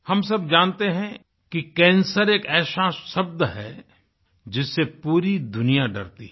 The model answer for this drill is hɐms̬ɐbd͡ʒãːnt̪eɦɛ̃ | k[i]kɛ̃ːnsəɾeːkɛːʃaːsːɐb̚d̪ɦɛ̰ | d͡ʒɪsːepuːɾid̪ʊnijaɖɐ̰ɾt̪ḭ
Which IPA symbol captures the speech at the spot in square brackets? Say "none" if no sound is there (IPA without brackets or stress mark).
i